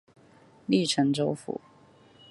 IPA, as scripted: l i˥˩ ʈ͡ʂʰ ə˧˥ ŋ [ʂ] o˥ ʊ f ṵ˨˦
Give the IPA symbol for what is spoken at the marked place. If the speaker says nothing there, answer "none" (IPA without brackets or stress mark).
ʈ͡ʂ